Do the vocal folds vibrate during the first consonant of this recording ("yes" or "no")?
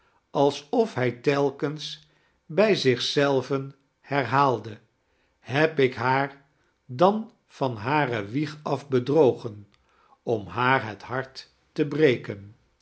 yes